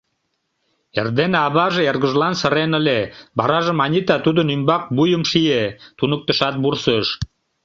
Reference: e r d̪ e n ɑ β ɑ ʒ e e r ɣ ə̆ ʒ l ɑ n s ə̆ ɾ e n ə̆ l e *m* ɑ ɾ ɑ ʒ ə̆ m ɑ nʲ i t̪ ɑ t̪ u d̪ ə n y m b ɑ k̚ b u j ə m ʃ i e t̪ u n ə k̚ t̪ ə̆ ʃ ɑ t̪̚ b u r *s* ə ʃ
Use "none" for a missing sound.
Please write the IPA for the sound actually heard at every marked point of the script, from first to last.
b, s

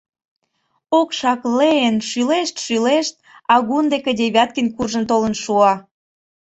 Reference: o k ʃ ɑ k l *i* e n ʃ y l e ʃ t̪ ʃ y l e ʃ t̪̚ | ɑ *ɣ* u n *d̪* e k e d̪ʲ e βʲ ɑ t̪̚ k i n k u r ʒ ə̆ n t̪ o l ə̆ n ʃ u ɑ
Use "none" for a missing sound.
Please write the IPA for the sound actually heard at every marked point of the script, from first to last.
e, ɣ, d̪

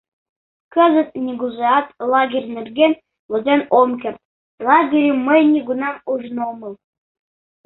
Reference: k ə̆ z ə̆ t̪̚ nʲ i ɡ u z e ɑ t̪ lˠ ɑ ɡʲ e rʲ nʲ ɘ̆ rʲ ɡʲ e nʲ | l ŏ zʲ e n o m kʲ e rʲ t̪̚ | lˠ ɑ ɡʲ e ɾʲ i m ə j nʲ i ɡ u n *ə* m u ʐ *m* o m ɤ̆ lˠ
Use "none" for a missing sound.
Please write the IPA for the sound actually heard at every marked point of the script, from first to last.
ɑ, n

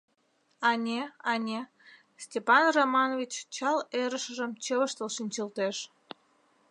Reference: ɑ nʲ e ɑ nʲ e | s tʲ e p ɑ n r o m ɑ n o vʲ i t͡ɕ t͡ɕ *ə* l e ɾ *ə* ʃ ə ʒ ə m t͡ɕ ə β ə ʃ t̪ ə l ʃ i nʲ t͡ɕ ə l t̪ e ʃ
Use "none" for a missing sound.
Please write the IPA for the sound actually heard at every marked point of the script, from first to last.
ɑ, ə

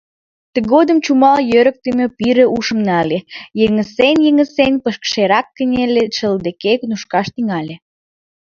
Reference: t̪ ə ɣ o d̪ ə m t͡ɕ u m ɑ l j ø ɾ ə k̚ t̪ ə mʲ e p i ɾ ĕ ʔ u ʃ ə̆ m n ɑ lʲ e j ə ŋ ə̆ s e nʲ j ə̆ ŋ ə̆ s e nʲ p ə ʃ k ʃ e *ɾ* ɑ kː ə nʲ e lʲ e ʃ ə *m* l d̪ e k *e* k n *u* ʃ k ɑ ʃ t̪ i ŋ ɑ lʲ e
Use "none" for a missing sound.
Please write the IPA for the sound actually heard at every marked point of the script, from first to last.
ɾ, none, e, u

